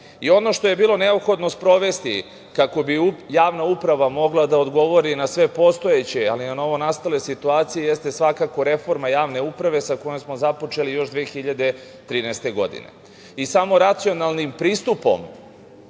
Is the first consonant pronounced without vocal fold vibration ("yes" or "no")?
no